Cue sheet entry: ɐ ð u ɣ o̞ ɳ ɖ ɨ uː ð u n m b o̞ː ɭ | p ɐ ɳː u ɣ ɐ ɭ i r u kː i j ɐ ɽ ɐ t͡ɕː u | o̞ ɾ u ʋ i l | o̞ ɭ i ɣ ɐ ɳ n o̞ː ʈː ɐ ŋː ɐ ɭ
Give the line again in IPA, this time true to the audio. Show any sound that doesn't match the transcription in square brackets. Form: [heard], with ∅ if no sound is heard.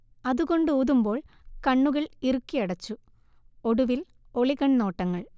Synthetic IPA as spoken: ɐ ð u ɣ o̞ ɳ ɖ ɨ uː ð u [∅] m b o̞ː ɭ | [k] ɐ ɳː u ɣ ɐ ɭ i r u kː i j ɐ ɽ ɐ t͡ɕː u | o̞ [ɽ] u ʋ i l | o̞ ɭ i ɣ ɐ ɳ n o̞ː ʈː ɐ ŋː ɐ ɭ